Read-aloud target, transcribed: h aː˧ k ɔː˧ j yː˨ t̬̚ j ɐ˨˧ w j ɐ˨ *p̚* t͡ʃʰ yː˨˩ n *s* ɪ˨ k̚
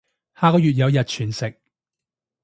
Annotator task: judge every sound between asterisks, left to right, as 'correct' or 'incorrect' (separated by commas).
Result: incorrect, correct